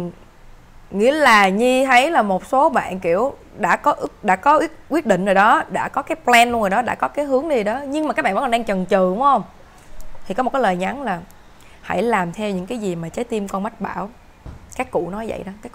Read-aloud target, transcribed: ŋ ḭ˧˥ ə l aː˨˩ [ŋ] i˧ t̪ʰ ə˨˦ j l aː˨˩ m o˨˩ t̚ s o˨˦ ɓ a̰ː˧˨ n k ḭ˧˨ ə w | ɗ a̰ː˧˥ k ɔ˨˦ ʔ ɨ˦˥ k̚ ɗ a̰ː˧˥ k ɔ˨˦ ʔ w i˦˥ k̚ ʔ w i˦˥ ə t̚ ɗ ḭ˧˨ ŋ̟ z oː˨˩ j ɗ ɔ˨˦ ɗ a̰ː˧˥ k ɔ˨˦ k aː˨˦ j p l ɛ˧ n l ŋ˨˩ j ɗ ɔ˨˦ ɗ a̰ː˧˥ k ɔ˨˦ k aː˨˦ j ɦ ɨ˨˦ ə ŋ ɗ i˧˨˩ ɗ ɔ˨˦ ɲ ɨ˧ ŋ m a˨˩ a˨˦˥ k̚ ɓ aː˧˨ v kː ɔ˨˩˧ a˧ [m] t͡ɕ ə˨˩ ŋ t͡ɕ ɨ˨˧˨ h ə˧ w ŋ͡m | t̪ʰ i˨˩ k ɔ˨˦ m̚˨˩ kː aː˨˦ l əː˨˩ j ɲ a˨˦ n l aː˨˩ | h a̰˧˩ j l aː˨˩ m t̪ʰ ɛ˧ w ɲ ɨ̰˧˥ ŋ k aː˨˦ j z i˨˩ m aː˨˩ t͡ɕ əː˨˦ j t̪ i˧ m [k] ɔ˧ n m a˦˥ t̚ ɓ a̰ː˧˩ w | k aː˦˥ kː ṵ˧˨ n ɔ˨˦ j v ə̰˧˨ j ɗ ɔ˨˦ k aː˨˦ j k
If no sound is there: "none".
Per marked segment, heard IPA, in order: ɲ, ŋ, k

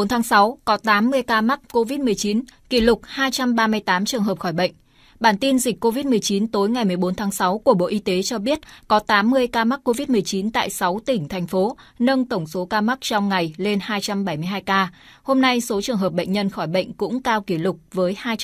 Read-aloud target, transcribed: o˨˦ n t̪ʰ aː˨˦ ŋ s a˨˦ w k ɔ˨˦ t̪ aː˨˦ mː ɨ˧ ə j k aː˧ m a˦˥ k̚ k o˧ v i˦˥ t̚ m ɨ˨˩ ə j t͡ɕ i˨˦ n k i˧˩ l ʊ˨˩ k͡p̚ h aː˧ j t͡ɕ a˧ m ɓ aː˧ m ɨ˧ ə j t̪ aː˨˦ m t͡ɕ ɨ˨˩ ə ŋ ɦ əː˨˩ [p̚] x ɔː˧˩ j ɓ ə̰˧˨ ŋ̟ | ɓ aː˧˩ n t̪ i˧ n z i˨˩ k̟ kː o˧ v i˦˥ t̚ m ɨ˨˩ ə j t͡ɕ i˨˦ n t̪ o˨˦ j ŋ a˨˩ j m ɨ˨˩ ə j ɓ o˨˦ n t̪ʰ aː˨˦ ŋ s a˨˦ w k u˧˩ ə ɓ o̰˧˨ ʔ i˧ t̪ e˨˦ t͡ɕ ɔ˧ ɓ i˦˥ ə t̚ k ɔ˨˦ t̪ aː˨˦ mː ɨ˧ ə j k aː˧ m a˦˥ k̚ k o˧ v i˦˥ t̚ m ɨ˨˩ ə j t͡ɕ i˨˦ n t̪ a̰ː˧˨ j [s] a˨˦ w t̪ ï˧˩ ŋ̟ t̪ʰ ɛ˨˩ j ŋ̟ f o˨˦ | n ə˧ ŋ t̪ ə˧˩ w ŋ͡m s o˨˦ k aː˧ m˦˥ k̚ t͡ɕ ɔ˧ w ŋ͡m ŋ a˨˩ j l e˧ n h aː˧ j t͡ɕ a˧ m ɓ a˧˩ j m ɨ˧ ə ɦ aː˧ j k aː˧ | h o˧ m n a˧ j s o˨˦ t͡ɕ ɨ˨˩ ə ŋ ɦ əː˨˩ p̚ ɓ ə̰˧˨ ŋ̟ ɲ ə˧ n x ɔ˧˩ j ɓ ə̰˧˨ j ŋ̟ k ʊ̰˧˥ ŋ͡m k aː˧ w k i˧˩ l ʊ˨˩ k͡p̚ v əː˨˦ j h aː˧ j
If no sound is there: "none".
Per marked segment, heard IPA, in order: p̚, s

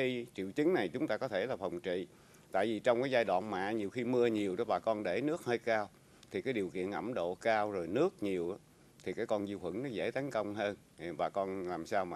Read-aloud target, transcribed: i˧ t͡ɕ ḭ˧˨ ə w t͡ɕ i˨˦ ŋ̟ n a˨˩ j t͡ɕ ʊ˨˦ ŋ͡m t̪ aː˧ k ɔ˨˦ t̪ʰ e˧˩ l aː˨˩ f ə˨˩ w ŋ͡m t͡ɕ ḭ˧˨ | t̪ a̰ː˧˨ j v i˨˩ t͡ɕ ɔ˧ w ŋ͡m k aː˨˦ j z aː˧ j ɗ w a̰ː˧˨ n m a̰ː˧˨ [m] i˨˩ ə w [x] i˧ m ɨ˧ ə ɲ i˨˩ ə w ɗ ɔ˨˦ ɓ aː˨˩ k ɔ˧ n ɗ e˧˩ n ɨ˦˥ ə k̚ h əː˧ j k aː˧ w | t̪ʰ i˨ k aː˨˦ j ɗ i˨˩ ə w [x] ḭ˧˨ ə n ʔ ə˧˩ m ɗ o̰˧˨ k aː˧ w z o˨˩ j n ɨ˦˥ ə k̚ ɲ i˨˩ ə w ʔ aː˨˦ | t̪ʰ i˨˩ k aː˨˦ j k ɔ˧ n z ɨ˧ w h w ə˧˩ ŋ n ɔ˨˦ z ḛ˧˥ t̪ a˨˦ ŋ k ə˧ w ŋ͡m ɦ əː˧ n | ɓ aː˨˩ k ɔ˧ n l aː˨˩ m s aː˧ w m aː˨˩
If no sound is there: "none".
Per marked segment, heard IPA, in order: ɲ, x, k

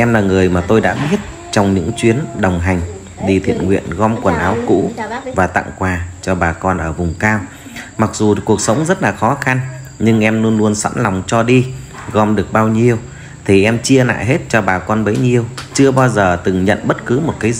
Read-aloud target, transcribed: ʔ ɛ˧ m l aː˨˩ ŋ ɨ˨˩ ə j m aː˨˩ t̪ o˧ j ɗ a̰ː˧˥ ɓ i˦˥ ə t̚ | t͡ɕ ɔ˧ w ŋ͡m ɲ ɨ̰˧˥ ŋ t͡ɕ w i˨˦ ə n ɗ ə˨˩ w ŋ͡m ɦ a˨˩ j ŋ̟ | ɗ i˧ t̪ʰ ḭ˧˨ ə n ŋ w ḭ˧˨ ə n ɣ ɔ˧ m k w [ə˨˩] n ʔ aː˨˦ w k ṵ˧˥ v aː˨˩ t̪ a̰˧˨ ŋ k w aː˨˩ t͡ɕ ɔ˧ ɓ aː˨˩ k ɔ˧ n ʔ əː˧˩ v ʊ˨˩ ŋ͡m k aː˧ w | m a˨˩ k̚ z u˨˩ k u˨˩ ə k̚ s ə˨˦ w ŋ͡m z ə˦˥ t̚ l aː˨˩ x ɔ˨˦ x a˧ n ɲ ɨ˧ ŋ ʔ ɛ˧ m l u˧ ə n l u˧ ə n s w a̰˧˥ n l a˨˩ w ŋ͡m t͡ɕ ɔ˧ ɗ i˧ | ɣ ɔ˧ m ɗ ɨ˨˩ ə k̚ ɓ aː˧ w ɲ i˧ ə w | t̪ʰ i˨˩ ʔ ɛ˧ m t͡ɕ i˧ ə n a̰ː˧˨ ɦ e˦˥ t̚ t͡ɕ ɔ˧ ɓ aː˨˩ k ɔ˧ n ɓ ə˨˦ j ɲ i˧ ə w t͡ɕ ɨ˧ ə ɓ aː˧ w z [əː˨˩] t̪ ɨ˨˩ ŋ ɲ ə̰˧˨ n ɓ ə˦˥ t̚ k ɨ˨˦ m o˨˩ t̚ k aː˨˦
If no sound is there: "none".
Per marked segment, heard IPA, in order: ə˨˩, əː˨˩

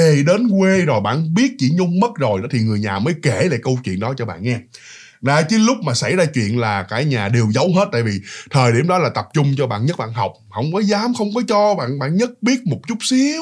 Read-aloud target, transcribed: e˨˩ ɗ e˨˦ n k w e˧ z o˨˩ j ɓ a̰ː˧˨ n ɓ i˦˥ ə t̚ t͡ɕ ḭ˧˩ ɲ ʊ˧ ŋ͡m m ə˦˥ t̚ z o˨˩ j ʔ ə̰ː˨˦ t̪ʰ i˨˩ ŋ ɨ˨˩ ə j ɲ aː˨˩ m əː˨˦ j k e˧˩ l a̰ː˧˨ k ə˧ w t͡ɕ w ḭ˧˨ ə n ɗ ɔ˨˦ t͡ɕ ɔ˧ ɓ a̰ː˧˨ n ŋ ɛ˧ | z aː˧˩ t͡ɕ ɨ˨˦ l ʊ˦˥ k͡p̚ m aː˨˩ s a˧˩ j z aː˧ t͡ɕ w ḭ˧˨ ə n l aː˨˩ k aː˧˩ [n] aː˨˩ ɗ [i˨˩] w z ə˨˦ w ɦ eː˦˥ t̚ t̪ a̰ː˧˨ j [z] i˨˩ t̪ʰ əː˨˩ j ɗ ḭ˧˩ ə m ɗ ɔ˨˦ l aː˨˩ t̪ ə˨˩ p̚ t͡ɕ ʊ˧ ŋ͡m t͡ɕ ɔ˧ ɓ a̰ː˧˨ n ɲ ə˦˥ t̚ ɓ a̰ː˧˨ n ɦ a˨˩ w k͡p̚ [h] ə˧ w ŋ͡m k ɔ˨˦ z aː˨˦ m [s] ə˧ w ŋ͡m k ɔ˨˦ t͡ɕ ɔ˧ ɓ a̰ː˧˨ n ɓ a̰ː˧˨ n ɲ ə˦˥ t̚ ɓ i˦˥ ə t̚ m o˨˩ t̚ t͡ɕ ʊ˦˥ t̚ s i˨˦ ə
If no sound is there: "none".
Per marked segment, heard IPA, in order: ɲ, e˨˩, v, h, x

